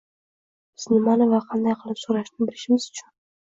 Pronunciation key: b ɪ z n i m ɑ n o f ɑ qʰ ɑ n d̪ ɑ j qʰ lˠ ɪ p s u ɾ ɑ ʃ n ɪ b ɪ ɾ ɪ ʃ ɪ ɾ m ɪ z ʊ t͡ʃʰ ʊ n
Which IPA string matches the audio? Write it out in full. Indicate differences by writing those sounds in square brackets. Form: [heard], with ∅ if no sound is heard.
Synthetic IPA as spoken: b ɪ z n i m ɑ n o [v] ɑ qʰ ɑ n d̪ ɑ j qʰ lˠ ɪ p s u ɾ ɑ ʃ n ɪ b ɪ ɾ ɪ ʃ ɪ [∅] m ɪ z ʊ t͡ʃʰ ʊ n